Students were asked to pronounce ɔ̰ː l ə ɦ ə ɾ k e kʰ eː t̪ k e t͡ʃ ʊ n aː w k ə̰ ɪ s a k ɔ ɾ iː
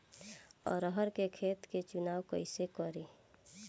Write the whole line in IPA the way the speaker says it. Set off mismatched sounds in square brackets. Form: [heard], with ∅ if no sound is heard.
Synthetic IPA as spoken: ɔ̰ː [ɾ] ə ɦ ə ɾ k e kʰ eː t̪ k e t͡ʃ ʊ n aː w k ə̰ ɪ s [e] k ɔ ɾ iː

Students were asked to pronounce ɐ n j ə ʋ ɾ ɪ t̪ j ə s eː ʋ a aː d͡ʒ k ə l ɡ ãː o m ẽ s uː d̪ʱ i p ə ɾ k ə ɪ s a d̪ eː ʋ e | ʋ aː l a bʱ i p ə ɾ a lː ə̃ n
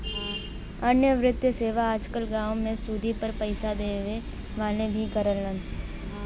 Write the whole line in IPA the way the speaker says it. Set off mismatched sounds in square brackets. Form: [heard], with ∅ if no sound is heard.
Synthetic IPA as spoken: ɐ n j ə ʋ ɾ ɪ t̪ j ə s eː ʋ a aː d͡ʒ k ə l ɡ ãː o m ẽ s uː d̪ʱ i p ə ɾ [p] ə ɪ s a d̪ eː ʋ e | ʋ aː l [e] bʱ i [k] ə ɾ [ə] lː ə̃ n

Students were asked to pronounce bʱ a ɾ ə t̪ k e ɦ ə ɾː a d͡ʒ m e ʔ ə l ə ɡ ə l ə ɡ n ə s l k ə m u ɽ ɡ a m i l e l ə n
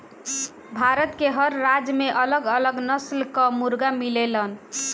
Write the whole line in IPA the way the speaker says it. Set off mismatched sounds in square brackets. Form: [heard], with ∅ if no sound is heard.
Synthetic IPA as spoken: bʱ a ɾ ə t̪ k e ɦ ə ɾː a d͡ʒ m e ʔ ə l ə ɡ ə l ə ɡ n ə s l k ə m u [ɾ] ɡ a m i l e l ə n

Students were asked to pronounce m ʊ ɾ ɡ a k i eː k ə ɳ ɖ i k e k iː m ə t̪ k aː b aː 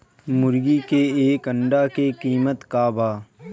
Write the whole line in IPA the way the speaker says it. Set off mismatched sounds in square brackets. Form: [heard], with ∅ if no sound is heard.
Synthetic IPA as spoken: m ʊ ɾ ɡ [i] k [e] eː k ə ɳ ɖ [a] k e k iː m ə t̪ k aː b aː

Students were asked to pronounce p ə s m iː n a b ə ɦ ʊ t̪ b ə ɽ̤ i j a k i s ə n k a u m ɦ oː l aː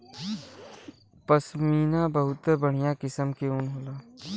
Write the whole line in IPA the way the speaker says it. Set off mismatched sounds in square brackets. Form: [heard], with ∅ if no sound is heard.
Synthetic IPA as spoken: p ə s m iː n a b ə ɦ ʊ t̪ b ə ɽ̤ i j a k [ɪ] s ə [m] k [e] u [n] ɦ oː l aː

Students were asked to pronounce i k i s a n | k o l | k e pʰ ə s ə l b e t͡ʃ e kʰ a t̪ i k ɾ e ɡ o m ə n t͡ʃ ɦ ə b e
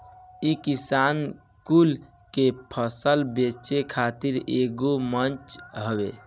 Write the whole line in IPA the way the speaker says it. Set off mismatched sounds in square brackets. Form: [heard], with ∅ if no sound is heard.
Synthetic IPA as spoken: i k i s a n | k [u] l | k e pʰ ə s ə l b e t͡ʃ e kʰ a t̪ i [∅] ɾ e ɡ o m ə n t͡ʃ ɦ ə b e

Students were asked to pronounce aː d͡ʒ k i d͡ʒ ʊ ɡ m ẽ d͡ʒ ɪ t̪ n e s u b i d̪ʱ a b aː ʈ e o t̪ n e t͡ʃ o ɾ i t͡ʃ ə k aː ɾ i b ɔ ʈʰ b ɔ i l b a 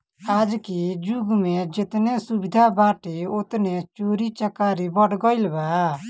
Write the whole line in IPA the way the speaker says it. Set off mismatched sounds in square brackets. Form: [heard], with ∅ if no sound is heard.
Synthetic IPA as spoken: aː d͡ʒ k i d͡ʒ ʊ ɡ m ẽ d͡ʒ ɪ t̪ n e s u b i d̪ʱ a b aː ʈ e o t̪ n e t͡ʃ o ɾ i t͡ʃ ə k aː ɾ i b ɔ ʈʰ [ɡ] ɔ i l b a

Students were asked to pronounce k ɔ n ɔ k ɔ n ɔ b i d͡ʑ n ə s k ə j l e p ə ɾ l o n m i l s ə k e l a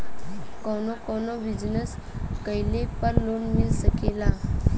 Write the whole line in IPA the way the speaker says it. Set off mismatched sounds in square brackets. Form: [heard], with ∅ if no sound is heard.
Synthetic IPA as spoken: k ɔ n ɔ k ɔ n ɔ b i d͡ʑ n ə s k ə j l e p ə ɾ l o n m i l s ə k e l a

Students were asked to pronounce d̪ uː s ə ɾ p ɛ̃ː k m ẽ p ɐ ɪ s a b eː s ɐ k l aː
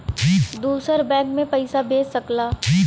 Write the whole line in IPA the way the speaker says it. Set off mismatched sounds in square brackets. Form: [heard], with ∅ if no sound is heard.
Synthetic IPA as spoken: d̪ uː s ə ɾ [b] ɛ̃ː k m ẽ p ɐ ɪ s a b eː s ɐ k l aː

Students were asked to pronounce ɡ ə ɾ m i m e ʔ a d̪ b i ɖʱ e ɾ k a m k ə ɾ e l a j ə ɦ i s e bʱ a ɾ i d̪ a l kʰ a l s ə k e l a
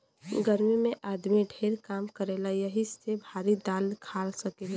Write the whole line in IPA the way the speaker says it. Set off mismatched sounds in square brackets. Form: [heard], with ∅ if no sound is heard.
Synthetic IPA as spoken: ɡ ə ɾ m i m e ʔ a d̪ [m] i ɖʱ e ɾ k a m k ə ɾ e l a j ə ɦ i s e bʱ a ɾ i d̪ a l kʰ a l s ə k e l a

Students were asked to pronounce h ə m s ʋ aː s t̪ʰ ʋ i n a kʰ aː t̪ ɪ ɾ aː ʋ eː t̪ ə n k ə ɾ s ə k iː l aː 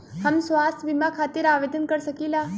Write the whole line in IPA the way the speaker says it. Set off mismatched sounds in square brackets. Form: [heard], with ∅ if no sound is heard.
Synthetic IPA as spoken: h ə m s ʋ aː s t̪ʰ ʋ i [m] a kʰ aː t̪ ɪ ɾ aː ʋ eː [d̪] ə n k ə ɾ s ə k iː l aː

